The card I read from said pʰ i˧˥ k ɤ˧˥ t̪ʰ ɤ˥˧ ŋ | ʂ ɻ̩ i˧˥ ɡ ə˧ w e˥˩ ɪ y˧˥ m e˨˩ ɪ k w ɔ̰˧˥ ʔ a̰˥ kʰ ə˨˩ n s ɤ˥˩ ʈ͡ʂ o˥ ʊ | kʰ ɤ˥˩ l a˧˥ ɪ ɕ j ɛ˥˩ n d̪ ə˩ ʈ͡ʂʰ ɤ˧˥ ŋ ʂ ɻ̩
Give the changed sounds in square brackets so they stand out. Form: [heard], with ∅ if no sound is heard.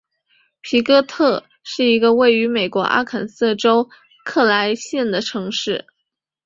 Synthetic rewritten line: pʰ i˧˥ k [ɤ˥] t̪ʰ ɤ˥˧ [∅] | ʂ ɻ̩ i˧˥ ɡ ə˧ w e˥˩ ɪ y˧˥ m e˨˩ ɪ k w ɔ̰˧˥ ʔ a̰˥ kʰ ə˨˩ n s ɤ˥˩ ʈ͡ʂ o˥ ʊ | kʰ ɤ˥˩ l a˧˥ ɪ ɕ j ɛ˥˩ n d̪ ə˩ ʈ͡ʂʰ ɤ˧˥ ŋ ʂ ɻ̩